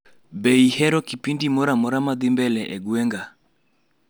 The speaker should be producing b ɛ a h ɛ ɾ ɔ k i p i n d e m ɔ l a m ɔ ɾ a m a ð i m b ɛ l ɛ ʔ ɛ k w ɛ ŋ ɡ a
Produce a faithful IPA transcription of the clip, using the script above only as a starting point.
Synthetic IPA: b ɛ i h ɛ ɾ ɔ k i p i n d i m ɔ ɾ a m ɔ ɾ a m a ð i m b ɛ l ɛ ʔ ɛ ɡ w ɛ ŋ ɡ a